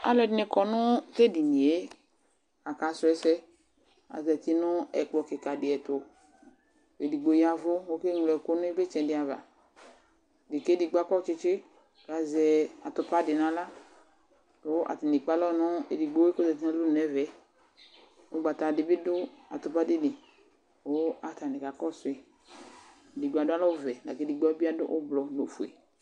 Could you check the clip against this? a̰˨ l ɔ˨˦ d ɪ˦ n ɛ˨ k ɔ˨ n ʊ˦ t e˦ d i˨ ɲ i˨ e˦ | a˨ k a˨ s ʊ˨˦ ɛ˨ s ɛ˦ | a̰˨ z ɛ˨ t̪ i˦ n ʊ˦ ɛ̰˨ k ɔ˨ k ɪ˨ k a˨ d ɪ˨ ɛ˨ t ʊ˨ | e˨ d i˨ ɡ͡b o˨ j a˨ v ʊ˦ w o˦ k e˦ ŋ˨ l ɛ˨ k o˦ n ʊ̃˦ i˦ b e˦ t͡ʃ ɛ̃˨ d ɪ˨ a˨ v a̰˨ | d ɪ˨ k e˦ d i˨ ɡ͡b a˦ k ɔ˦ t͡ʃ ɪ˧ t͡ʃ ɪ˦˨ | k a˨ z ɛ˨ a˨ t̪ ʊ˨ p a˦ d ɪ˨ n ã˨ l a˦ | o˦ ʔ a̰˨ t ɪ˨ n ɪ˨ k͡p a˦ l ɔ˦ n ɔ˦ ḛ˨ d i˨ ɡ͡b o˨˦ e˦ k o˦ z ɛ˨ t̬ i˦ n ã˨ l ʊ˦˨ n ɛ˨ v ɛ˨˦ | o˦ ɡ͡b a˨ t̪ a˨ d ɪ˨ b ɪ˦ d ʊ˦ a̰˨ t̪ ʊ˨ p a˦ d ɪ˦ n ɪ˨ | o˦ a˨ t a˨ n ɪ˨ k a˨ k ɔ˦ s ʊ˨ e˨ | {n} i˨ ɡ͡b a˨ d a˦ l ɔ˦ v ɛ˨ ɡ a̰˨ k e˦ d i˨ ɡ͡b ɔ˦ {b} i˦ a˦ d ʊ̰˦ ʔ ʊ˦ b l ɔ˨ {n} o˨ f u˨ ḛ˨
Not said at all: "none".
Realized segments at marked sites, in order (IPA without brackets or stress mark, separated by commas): d, b, n